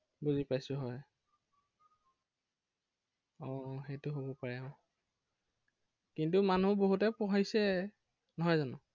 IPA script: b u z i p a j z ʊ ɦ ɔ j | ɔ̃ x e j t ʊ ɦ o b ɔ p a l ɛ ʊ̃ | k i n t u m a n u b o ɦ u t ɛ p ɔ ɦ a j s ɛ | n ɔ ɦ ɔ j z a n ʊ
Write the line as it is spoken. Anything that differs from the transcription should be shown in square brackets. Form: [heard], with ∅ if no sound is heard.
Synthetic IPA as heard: b u z i p a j [s] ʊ ɦ ɔ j | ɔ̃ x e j t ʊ ɦ o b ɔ p a [ɹ] ɛ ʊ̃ | k i n t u m a n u b o ɦ u t ɛ p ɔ ɦ a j s ɛ | n ɔ ɦ ɔ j z a n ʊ